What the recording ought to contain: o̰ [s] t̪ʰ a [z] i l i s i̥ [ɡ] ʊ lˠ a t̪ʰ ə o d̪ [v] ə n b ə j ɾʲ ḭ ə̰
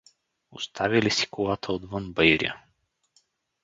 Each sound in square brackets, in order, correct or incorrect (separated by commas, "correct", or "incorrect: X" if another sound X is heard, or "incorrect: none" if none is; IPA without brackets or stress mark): correct, incorrect: v, incorrect: k, correct